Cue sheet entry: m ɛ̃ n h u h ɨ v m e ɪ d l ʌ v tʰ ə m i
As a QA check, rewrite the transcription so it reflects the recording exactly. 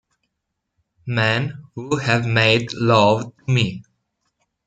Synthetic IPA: m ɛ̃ n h u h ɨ v m e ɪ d l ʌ v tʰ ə m i